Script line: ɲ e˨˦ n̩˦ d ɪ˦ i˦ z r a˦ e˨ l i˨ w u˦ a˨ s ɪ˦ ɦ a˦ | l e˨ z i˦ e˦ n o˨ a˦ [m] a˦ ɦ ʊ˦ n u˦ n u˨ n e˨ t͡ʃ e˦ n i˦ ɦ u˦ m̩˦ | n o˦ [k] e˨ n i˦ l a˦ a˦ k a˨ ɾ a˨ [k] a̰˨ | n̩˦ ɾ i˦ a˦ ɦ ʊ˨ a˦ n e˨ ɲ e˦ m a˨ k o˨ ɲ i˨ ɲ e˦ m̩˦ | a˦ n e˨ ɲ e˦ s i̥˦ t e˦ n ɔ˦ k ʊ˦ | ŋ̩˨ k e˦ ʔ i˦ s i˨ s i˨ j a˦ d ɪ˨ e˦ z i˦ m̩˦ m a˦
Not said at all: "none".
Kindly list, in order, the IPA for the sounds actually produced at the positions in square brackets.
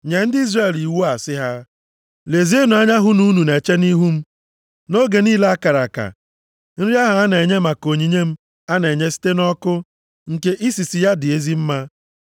ɲ, ɡ, k

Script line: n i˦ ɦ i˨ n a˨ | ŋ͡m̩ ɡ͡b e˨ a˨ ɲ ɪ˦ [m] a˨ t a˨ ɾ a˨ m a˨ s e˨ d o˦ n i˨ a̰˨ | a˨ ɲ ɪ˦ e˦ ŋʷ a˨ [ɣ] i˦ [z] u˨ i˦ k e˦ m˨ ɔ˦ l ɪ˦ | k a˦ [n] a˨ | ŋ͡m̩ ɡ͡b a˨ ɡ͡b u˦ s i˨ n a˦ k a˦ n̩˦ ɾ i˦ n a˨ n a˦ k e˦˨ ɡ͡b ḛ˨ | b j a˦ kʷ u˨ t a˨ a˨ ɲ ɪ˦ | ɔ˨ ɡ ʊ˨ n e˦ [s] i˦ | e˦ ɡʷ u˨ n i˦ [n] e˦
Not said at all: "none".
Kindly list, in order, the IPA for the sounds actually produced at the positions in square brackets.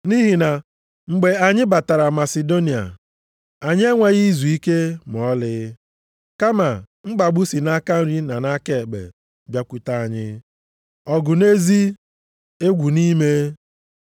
b, ɣ, z, m, z, m

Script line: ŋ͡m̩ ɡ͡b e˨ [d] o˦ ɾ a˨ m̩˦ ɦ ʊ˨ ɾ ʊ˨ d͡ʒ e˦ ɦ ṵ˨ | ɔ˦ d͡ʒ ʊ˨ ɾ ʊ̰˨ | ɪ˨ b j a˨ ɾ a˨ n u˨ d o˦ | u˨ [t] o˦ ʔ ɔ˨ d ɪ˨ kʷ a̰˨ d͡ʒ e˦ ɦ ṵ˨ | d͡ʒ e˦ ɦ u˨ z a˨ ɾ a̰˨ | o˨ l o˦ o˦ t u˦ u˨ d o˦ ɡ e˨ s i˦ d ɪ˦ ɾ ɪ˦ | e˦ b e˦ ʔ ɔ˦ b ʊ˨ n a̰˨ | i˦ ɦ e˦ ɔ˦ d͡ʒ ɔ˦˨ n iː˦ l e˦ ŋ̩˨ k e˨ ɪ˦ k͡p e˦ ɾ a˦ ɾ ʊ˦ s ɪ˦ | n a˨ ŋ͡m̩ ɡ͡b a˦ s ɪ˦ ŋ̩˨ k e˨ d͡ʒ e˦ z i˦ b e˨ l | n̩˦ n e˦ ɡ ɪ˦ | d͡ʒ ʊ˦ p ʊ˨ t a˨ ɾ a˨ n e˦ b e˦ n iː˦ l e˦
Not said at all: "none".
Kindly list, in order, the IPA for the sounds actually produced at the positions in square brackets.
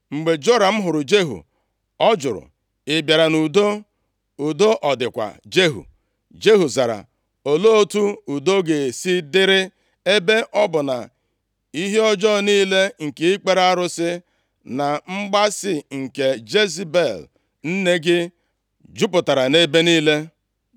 d͡ʒ, d

